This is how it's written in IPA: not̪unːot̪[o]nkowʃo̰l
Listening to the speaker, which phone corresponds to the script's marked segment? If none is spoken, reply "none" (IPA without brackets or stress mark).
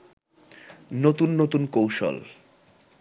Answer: u